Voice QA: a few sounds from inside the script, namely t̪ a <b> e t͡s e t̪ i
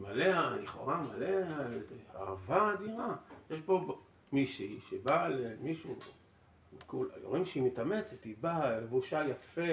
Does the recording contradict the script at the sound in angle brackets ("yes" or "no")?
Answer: yes